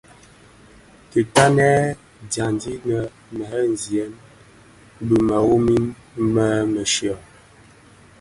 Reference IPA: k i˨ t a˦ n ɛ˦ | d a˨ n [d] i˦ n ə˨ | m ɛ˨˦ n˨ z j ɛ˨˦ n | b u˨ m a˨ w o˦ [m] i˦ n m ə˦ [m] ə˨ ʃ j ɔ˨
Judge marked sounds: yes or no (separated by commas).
yes, yes, yes